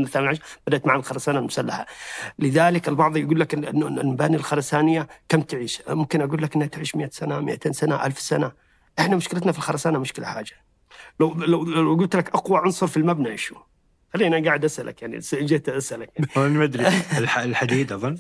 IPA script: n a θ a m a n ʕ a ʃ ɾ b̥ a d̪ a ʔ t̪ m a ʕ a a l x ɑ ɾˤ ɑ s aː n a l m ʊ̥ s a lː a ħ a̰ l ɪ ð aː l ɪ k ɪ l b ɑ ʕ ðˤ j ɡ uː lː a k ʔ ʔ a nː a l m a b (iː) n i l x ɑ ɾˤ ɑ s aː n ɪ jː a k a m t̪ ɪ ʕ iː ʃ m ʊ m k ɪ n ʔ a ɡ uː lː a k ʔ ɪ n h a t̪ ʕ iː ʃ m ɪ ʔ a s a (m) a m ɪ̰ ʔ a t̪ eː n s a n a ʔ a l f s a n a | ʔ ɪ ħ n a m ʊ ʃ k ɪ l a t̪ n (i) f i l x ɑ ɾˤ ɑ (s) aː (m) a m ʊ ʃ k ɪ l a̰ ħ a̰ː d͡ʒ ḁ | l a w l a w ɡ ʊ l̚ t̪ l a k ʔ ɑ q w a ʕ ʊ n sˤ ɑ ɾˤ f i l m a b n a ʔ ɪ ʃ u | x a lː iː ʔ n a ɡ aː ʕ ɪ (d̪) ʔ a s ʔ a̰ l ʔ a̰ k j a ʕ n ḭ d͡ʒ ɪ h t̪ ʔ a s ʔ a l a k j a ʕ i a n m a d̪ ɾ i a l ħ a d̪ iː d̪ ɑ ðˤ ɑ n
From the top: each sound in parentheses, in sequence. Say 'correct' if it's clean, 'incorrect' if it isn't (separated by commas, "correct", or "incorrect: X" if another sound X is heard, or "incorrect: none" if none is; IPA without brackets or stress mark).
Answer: incorrect: aː, incorrect: n, incorrect: a, correct, incorrect: n, correct